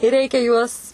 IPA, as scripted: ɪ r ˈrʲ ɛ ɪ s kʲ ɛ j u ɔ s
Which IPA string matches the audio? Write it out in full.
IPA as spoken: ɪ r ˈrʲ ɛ ɪ kʲ ɛ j u ɔ s